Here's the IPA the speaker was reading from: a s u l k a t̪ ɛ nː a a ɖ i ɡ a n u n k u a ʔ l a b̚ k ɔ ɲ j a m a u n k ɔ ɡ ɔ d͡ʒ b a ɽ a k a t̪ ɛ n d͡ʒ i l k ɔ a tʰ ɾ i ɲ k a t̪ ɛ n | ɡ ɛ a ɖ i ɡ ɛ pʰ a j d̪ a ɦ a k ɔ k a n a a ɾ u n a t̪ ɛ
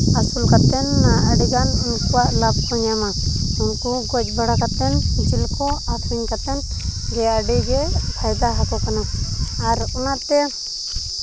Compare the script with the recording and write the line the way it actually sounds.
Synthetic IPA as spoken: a s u l k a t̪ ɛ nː a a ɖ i ɡ a n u n k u a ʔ l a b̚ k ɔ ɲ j a m a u n k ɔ ɡ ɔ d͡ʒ b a ɽ a k a t̪ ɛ n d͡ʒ i l k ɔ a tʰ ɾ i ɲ k a t̪ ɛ n | ɡ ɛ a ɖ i ɡ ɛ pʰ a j d̪ a ɦ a k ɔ k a n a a ɾ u n a t̪ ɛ